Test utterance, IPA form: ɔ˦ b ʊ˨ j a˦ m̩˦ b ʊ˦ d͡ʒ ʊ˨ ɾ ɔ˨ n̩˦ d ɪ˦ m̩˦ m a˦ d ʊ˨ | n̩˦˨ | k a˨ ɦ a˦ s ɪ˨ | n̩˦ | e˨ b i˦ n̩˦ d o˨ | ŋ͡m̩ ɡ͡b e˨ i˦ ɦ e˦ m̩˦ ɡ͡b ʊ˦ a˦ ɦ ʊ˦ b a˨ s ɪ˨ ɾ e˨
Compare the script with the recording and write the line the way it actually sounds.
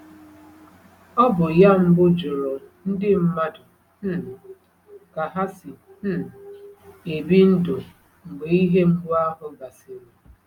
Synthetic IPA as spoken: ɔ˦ b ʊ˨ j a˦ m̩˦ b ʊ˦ d͡ʒ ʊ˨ ɾ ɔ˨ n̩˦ d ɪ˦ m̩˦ m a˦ d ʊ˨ | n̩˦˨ | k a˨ ɦ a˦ s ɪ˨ | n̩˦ | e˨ b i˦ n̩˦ d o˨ | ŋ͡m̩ ɡ͡b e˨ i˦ ɦ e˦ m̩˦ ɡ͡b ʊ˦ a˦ ɦ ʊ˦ ɡ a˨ s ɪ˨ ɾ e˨

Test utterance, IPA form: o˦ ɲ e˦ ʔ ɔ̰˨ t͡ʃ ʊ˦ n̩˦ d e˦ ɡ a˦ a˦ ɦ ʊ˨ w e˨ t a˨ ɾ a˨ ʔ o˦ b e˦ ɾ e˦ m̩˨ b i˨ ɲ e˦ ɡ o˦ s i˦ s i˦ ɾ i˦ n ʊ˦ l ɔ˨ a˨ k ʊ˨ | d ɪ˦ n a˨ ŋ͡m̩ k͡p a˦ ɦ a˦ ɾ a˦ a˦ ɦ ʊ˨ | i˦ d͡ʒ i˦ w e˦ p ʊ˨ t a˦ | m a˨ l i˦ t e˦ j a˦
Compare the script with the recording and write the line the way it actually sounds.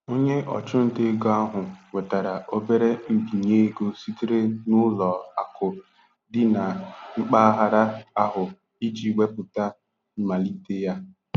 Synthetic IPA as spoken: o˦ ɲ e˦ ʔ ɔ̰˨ t͡ʃ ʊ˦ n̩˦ d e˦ ɡ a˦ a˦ ɦ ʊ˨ w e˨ t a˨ ɾ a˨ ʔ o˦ b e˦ ɾ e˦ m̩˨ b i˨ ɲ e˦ ɡ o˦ s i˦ t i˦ ɾ e˦ n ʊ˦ l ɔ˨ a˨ k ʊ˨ | d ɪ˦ n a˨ ŋ͡m̩ k͡p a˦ ɦ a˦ ɾ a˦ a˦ ɦ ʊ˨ | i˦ d͡ʒ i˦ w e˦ p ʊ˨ t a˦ | m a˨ l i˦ t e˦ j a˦

